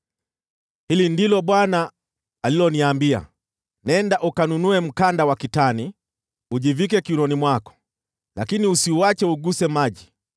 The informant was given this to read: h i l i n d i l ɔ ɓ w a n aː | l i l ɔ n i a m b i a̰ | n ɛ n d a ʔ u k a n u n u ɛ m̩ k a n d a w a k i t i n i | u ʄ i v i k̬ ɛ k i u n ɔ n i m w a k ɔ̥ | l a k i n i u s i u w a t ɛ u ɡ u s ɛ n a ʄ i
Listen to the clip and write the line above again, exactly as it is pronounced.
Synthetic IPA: h i l i n d i l ɔ ɓ w a n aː | l i l ɔ n i a m b i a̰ | n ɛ n d a ʔ u k a n u n u ɛ m̩ k a n d a w a k i t a n i | u ʄ i v i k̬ ɛ k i u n ɔ n i m w a k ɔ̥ | l a k i n i u s i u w a t͡ʃ ɛ u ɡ u s ɛ m a ʄ i